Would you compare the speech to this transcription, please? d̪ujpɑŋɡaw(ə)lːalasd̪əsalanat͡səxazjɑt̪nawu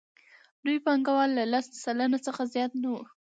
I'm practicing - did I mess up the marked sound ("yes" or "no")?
yes